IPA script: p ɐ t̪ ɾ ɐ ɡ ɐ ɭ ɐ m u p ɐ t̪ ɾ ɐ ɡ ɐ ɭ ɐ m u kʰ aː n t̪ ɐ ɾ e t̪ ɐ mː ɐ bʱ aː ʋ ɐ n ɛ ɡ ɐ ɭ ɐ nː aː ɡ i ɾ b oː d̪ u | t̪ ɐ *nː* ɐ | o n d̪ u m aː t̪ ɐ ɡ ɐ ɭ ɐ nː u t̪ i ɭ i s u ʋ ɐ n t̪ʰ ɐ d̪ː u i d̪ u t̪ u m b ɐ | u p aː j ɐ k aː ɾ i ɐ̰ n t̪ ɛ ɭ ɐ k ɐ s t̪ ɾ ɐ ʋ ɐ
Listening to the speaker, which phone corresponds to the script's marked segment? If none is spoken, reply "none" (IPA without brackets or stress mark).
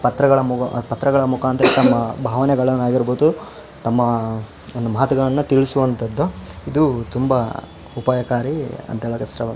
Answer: mː